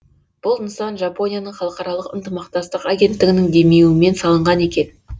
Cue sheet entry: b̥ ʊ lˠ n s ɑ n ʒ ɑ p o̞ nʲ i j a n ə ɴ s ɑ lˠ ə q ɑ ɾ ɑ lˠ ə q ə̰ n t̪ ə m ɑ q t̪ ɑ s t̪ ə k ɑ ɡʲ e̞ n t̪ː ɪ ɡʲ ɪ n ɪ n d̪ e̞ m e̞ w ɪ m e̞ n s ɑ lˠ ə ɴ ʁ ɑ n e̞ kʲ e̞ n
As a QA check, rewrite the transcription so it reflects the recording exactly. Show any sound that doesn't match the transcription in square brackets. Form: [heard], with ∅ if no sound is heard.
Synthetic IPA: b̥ ʊ lˠ n s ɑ n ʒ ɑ p o̞ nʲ i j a n ə ɴ [χ] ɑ lˠ ə q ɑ ɾ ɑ lˠ ə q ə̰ n t̪ ə m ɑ q t̪ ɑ s t̪ ə [q] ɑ ɡʲ e̞ n t̪ː ɪ ɡʲ ɪ n ɪ [ŋ] d̪ e̞ m e̞ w ɪ m e̞ n s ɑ lˠ ə ɴ ʁ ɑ n e̞ kʲ e̞ n